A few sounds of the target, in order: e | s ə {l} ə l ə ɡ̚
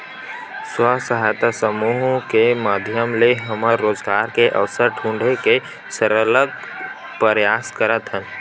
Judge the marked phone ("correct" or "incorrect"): incorrect